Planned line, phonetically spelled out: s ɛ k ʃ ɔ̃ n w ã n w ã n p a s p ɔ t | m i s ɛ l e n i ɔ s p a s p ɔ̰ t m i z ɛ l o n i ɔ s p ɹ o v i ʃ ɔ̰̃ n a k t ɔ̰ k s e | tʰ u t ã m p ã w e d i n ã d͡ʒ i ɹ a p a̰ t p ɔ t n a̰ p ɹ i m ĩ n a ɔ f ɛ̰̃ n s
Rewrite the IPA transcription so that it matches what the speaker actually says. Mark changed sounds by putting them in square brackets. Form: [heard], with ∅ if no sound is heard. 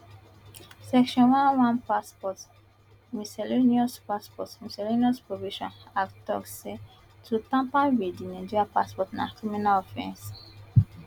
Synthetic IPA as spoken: s ɛ k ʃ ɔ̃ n w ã n w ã n p a s p ɔ t | m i s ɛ l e n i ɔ s p a s p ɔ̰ t m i [s] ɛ l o n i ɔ s p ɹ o v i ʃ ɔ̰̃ n a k t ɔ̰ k s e | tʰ u t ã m p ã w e d i n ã d͡ʒ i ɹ a p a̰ [s] p ɔ t n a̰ [k] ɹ i m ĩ n a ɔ f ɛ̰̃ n s